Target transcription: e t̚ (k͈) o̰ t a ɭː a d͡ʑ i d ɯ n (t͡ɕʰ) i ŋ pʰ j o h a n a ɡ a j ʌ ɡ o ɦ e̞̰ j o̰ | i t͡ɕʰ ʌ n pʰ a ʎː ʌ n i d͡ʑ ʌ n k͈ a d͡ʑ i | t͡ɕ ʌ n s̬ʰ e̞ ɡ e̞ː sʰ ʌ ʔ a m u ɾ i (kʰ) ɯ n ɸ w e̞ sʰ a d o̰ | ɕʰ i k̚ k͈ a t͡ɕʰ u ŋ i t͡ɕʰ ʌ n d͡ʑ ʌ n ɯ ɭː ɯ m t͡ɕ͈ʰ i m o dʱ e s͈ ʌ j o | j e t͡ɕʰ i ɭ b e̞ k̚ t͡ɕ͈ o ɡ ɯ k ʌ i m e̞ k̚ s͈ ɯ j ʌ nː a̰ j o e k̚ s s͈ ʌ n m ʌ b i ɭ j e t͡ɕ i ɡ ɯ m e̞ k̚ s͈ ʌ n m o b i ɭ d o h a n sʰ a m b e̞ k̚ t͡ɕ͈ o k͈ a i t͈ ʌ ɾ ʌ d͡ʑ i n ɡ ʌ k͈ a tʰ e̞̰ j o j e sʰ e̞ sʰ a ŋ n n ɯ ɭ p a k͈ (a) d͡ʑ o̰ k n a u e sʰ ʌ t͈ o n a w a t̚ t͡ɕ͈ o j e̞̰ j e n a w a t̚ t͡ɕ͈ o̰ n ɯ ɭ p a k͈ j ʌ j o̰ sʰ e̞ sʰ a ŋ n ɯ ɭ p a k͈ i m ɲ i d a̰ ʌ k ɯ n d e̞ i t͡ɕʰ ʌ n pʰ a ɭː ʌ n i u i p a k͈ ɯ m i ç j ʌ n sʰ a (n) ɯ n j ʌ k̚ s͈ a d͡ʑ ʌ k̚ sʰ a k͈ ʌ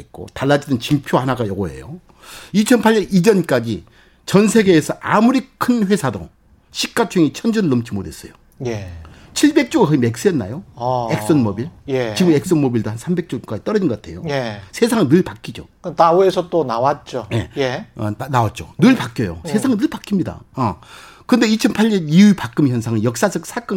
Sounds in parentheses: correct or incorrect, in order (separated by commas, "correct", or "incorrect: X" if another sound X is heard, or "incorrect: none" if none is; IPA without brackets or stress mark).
correct, incorrect: t͡ɕ, correct, incorrect: i, incorrect: ŋ